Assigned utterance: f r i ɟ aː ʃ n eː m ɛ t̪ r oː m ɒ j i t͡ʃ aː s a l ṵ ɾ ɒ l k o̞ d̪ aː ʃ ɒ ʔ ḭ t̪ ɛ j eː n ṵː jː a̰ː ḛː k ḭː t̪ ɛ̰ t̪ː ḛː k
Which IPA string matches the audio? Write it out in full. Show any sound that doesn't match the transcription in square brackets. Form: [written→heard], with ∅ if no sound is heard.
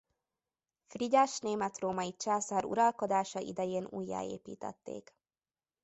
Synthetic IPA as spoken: f r i ɟ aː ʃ n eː m ɛ t̪ r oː m ɒ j i t͡ʃ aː s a [l→ɾ] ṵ ɾ ɒ l k o̞ d̪ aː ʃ ɒ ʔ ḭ [t̪→d̪] ɛ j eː n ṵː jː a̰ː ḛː [k→p] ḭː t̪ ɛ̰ t̪ː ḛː k